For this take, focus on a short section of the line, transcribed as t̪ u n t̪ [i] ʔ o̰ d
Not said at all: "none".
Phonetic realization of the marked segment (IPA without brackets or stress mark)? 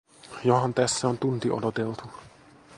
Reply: i